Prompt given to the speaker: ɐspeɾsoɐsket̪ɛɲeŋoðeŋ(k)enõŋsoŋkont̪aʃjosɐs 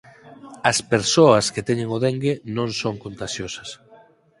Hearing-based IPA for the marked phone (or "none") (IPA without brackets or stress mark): ɡ